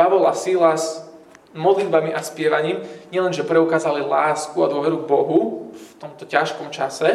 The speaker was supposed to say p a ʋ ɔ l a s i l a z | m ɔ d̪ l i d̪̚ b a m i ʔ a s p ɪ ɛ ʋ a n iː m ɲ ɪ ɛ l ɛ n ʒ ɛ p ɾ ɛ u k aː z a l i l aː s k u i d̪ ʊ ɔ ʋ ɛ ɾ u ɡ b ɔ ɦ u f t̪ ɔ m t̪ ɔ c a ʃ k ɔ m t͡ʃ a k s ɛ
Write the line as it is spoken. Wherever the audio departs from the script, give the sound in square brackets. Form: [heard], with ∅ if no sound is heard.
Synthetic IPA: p a ʋ ɔ l a s i l a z | m ɔ d̪ l i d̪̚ b a m i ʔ a s p ɪ ɛ ʋ a [ɲ] iː m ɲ ɪ ɛ l ɛ n ʒ ɛ p ɾ ɛ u k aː z a l i l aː s k u [a] d̪ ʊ ɔ ʋ ɛ ɾ u ɡ b ɔ ɦ u f t̪ ɔ m t̪ ɔ c a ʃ k ɔ m t͡ʃ a [∅] s ɛ